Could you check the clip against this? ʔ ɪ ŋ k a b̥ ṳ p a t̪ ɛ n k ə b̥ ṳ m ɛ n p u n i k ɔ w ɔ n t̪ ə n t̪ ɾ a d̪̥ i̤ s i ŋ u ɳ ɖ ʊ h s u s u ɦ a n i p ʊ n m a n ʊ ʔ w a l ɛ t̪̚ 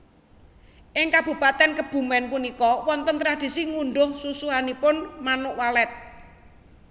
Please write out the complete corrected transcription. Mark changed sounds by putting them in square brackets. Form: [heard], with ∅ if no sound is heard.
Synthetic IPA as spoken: ʔ ɪ ŋ k a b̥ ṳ p a t̪ ɛ n k ə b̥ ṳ m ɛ n p u n i k ɔ w ɔ n t̪ ə n t̪ ɾ a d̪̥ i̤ s i ŋ u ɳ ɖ ʊ h s u s u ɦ a n i p ʊ n m a n ʊ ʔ w a l ɛ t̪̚

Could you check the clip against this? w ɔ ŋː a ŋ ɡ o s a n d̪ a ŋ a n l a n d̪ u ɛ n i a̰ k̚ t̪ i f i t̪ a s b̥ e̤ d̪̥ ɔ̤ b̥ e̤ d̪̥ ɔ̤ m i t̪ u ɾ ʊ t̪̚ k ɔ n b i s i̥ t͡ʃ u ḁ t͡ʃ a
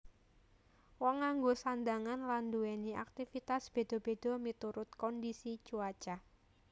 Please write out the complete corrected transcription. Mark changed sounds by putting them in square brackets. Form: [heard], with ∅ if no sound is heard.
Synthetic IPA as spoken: w ɔ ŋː a ŋ ɡ o s a n d̪ a ŋ a n l a n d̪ u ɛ n i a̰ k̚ t̪ i f i t̪ a s b̥ e̤ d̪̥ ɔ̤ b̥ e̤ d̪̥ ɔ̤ m i t̪ u ɾ ʊ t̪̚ k ɔ n [d] i s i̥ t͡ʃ u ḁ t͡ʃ a

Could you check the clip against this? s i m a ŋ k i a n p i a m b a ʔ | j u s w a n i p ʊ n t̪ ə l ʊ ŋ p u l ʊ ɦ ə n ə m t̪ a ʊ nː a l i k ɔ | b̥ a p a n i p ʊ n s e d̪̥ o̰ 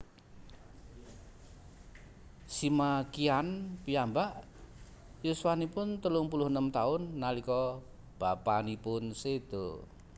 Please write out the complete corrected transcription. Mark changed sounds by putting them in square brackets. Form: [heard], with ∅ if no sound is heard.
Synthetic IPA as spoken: s i m a [∅] k i a n p i a m b a ʔ | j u s w a n i p ʊ n t̪ ə l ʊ ŋ p u l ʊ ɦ ə n ə m t̪ a ʊ nː a l i k ɔ | b̥ a p a n i p ʊ n s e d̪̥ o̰

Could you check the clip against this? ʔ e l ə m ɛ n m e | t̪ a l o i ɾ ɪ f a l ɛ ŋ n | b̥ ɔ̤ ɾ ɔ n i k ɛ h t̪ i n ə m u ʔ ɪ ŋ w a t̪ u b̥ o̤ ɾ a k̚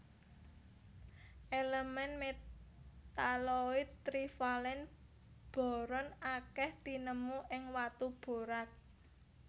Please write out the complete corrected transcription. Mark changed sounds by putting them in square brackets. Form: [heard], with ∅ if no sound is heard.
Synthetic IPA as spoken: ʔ e l ə m ɛ n m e | t̪ a l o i ɾ [i] f a l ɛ [∅] n | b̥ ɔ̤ ɾ ɔ n [a] k ɛ h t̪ i n ə m u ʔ ɪ ŋ w a t̪ u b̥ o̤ ɾ a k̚

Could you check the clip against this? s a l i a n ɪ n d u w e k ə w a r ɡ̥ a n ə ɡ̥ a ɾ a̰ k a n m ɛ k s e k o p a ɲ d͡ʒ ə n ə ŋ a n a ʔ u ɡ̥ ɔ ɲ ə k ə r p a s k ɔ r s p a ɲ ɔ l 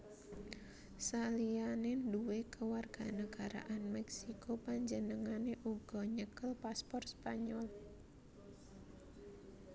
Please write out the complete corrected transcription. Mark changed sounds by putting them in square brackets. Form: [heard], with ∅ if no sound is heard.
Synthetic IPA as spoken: s a l i a n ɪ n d u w e k ə w a r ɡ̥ a n ə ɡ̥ a ɾ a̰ [ʔ] a n m ɛ k s [i] k o p a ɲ d͡ʒ ə n ə ŋ a n [e] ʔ u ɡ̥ ɔ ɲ ə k ə [l] p a s [p] ɔ r s p a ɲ ɔ l

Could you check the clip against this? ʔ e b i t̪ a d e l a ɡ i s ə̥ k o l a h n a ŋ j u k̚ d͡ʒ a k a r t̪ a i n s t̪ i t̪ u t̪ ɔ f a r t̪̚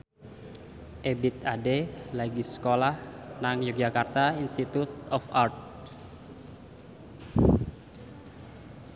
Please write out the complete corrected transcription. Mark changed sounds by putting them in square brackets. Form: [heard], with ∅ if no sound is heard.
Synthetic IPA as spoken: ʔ e b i t̪ a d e l a ɡ i s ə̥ k o l a h n a ŋ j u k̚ d͡ʒ a k a r t̪ a i n s t̪ i t̪ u t̪ ɔ f a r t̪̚

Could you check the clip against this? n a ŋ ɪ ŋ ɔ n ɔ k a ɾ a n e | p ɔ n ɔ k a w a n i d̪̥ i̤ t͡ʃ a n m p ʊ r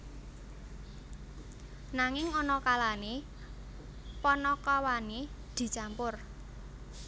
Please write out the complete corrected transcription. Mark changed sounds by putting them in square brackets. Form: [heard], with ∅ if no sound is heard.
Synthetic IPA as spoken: n a ŋ ɪ ŋ ɔ n ɔ k a [l] a n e | p ɔ n ɔ k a w a n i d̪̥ i̤ t͡ʃ a [∅] m p ʊ r

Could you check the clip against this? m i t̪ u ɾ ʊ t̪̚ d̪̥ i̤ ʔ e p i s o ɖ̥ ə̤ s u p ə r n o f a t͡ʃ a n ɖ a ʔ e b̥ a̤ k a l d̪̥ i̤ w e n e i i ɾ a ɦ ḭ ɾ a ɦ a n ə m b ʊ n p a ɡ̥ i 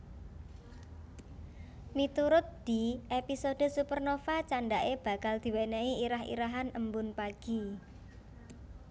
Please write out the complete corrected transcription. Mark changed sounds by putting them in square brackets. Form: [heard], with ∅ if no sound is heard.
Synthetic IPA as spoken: m i t̪ u ɾ ʊ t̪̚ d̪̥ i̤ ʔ e p i s o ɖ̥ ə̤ s u p ə r n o f a t͡ʃ a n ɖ a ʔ e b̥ a̤ k a l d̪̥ i̤ w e n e i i ɾ a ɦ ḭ ɾ a ɦ a n ə m b ʊ n p a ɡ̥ i

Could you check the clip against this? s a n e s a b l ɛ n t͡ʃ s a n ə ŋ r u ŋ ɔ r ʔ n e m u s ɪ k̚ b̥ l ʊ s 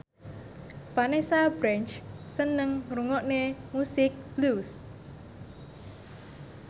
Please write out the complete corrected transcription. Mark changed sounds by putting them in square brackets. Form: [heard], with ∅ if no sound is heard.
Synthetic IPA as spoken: [f] a n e s a b [ɾ] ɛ n t͡ʃ s [ə] n ə ŋ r u ŋ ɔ [∅] ʔ n e m u s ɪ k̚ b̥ l [u] s

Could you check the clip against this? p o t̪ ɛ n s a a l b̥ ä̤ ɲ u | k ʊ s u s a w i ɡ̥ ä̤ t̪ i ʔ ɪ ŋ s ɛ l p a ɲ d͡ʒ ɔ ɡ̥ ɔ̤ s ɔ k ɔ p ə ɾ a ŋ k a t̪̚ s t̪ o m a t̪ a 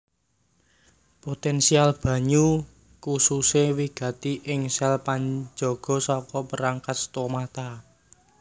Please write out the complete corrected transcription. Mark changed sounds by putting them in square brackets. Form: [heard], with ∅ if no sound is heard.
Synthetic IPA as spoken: p o t̪ ɛ n s [i] a l b̥ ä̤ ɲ u | k [u] s u s [e] w i ɡ̥ ä̤ t̪ i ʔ ɪ ŋ s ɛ l p a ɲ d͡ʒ ɔ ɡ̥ ɔ̤ s ɔ k ɔ p ə ɾ a ŋ k a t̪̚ s t̪ o m a t̪ a

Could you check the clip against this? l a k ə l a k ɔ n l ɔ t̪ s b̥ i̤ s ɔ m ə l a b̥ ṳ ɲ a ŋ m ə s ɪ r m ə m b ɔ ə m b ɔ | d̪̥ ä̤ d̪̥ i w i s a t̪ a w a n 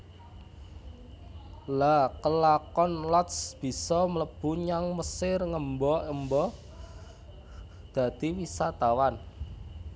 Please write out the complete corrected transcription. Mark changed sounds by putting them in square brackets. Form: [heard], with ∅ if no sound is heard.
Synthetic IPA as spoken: l a k ə l a k ɔ n l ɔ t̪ s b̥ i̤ s ɔ m ə l [ə] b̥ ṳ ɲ a ŋ m ə s ɪ r [ŋ] ə m b ɔ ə m b ɔ | d̪̥ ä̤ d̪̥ i w i s a t̪ a w a n

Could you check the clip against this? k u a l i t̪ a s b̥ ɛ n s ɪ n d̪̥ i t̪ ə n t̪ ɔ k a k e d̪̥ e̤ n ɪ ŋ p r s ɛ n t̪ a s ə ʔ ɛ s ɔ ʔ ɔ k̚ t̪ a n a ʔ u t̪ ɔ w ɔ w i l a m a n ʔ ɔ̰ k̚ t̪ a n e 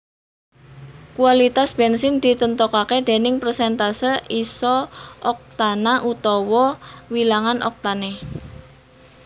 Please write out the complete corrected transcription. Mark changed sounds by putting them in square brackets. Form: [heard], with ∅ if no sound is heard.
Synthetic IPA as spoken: k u a l i t̪ a s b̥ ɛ n s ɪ n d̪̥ i t̪ ə n t̪ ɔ k a k e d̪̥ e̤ n ɪ ŋ p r s ɛ n t̪ a s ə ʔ [i] s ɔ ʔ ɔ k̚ t̪ a n a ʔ u t̪ ɔ w ɔ w i l a [ŋ] a n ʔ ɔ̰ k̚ t̪ a n e

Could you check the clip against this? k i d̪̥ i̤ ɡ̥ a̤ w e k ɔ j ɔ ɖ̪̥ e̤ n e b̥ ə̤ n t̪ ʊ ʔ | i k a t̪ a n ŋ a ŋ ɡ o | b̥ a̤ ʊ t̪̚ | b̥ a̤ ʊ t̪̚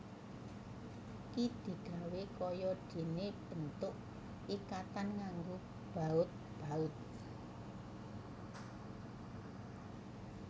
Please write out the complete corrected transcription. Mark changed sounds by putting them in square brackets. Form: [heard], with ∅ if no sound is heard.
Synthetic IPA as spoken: k i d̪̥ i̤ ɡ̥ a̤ w e k ɔ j ɔ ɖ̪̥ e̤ n e b̥ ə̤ n t̪ ʊ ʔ | i k a t̪ a n ŋ a ŋ ɡ o | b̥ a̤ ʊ t̪̚ | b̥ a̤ ʊ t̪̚

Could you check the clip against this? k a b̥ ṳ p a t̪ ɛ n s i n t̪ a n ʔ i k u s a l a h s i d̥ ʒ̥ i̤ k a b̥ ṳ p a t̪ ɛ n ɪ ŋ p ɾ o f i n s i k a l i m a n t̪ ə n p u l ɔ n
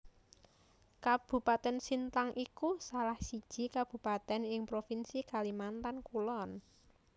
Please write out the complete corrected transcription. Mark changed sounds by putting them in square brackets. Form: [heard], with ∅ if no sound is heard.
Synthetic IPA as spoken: k a b̥ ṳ p a t̪ ɛ n s i n t̪ a [ŋ] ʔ i k u s a l a h s i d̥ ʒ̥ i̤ k a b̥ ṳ p a t̪ ɛ n ɪ ŋ p ɾ o f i n s i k a l i m a n t̪ [a] n [k] u l ɔ n

